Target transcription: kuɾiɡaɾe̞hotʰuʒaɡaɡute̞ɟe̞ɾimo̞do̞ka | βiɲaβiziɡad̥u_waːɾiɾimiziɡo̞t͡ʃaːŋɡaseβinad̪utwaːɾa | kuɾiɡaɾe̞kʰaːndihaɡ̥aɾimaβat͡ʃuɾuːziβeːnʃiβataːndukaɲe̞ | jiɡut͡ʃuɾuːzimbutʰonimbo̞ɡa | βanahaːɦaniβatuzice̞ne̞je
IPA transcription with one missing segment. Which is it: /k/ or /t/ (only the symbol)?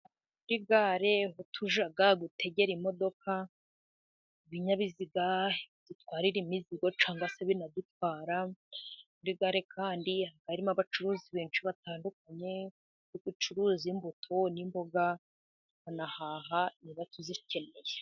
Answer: t